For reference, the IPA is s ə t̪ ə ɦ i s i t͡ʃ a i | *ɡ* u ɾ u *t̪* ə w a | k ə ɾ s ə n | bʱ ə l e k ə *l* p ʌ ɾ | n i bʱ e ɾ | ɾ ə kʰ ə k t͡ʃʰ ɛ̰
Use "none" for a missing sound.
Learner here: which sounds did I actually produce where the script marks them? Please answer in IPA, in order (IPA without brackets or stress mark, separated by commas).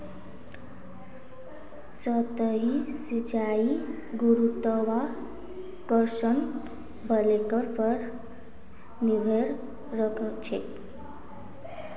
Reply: ɡ, t̪, ɾ